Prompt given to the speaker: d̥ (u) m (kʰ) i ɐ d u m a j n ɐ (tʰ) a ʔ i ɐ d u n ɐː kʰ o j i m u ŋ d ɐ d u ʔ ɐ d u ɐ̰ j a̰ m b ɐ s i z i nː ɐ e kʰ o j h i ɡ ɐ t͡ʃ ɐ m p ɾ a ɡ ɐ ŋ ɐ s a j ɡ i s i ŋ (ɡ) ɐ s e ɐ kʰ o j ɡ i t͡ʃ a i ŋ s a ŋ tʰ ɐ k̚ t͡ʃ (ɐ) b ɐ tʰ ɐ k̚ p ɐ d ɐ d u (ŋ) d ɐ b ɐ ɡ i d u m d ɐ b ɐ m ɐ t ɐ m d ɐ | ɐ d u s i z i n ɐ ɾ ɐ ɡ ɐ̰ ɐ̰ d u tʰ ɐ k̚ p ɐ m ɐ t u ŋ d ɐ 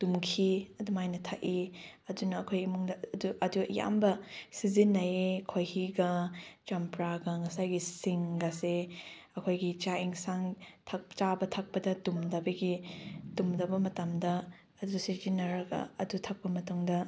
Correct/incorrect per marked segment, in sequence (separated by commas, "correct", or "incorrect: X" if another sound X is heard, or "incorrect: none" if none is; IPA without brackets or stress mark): correct, correct, correct, correct, incorrect: a, incorrect: m